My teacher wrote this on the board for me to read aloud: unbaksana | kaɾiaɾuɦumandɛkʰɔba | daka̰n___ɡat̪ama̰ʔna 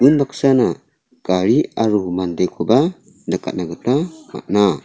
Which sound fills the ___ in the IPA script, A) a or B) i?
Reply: A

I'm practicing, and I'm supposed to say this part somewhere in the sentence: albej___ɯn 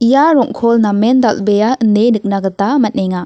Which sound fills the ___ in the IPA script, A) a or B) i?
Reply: A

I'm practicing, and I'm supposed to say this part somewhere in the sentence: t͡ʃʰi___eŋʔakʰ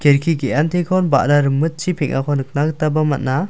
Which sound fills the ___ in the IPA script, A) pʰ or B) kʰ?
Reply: A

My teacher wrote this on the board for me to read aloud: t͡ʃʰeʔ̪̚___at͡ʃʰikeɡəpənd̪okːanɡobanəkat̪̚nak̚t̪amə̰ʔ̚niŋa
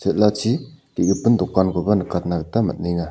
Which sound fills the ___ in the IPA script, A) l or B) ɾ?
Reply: A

